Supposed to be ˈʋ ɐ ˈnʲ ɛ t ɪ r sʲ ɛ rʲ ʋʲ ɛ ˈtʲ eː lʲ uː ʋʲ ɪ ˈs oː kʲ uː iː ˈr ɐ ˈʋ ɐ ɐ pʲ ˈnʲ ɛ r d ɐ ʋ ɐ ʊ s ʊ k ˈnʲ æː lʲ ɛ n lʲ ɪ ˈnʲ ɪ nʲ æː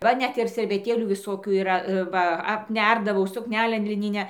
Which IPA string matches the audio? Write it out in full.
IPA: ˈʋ ɐ ˈnʲ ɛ t ɪ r sʲ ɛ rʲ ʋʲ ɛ ˈtʲ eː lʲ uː ʋʲ ɪ ˈs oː kʲ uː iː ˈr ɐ ˈʋ ɐ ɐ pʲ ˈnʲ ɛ r d ɐ ʋ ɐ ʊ s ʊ k ˈnʲ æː lʲ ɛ n lʲ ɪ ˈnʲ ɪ nʲ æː